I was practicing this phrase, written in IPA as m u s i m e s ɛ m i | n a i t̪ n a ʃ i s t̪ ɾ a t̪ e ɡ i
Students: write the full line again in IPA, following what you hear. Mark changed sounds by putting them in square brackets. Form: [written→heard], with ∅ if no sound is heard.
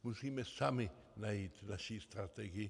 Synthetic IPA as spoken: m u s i m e s [ɛ→a] m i | n a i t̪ n a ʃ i s t̪ ɾ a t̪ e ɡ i